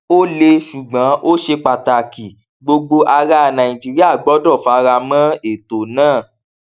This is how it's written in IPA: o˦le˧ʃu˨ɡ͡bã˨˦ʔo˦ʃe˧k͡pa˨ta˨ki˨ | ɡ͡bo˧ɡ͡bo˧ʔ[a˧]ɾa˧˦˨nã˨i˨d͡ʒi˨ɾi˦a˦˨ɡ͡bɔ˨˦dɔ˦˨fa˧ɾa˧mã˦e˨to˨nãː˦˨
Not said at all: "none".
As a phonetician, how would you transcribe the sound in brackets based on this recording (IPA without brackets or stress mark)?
a˧